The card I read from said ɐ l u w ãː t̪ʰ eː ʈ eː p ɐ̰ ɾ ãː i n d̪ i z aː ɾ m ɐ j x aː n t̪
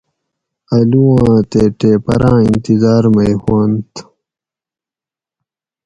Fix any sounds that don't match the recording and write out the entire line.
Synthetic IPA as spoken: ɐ l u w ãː t̪ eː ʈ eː p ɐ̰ ɾ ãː i n t̪ i z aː ɾ m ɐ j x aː n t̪